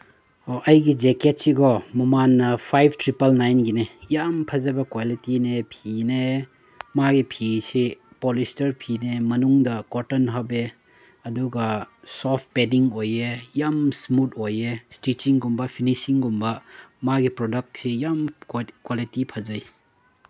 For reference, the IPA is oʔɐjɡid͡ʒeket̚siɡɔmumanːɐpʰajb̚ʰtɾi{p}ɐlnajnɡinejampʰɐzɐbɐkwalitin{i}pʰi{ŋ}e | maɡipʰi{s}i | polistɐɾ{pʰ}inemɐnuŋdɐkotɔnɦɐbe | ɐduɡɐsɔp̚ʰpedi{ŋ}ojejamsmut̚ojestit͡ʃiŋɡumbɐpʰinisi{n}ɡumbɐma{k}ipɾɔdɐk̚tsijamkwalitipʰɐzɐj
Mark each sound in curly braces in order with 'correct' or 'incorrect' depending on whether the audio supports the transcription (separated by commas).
correct, incorrect, incorrect, correct, correct, correct, incorrect, incorrect